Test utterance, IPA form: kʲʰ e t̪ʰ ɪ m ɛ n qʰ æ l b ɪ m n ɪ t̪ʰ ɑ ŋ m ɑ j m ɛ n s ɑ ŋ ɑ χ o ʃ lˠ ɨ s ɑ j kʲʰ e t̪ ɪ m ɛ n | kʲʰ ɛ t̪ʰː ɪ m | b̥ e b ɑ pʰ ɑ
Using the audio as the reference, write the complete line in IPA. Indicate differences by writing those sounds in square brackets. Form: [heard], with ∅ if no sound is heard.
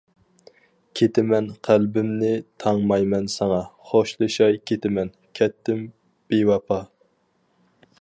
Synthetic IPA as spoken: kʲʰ e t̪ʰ ɪ m ɛ n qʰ æ l b ɪ m n ɪ t̪ʰ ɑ ŋ m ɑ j m ɛ n s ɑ ŋ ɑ χ o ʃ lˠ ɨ [ʃ] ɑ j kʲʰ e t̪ ɪ m ɛ n | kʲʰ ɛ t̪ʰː ɪ m | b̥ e [w] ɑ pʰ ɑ